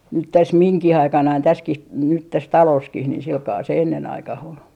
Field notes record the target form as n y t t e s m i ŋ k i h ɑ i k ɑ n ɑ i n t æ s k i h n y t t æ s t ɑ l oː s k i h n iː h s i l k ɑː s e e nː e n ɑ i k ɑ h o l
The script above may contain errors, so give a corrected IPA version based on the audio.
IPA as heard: n y t t æ s m i ŋ k i h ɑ i k ɑ n ɑ i n t æ s k i h n y t t æ s t ɑ l oː s k i h n iː h s i l k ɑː s e e nː e n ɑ i k ɑ h o l